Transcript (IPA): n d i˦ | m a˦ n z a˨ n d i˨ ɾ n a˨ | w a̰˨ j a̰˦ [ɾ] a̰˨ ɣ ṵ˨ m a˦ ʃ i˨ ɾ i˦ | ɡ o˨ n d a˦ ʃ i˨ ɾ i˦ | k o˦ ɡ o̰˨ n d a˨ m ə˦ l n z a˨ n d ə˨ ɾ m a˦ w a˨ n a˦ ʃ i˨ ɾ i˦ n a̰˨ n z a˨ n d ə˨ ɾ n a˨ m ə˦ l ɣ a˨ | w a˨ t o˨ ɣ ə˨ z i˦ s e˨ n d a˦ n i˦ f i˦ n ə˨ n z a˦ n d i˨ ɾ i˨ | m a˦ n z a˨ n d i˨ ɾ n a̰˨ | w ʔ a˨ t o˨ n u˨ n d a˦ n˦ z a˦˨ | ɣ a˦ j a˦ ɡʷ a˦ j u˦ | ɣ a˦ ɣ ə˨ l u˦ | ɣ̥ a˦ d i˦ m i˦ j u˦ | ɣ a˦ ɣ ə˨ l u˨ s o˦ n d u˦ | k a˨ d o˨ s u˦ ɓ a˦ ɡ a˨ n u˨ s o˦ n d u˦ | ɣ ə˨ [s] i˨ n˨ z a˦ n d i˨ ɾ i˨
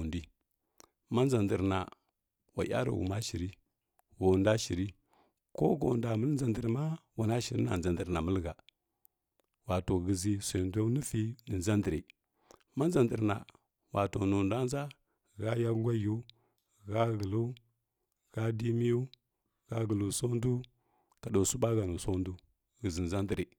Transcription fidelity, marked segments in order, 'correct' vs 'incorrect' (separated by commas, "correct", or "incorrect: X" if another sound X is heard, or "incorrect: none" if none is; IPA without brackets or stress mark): correct, incorrect: z